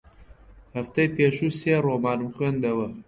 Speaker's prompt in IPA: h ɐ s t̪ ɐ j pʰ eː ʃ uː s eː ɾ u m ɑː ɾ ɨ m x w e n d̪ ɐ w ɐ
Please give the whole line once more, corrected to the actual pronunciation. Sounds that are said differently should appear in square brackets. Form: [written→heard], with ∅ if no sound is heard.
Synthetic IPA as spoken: h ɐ [s→f] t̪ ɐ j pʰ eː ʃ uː s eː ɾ [u→o] m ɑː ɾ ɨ m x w e n d̪ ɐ w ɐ